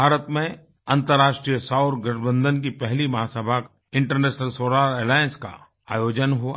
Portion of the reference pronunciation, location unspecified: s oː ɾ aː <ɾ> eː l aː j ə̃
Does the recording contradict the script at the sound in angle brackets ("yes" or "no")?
no